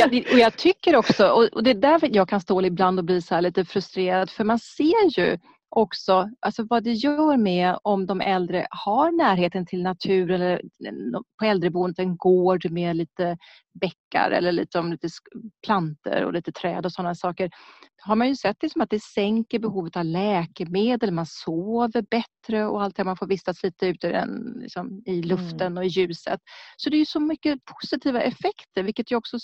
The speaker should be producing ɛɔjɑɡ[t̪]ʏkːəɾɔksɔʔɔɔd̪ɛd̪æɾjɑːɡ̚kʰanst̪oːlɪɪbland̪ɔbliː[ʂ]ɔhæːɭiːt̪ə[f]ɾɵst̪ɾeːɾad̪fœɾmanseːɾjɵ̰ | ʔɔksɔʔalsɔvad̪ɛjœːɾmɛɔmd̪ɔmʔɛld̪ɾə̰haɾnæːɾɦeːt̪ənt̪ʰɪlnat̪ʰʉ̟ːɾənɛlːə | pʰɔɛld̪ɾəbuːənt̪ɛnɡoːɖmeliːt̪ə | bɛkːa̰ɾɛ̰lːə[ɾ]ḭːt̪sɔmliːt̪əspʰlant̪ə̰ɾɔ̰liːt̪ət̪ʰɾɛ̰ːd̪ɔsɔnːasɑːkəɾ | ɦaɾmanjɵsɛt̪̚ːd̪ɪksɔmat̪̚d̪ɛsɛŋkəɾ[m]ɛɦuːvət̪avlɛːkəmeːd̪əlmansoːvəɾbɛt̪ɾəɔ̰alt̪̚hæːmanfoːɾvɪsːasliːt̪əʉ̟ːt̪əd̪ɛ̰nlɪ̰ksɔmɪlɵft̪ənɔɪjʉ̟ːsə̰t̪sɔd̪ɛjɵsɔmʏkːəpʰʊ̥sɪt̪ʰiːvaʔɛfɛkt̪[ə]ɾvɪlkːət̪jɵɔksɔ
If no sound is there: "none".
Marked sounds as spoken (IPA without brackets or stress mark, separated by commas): t̪ʰ, s, f, ɭ, b, ə